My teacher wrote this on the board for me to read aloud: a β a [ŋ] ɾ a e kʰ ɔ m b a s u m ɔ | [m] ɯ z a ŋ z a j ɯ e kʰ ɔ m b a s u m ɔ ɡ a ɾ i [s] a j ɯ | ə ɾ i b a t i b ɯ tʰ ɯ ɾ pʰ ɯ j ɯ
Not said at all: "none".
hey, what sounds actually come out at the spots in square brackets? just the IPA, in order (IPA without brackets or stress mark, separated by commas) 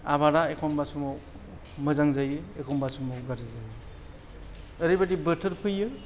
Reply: none, m, z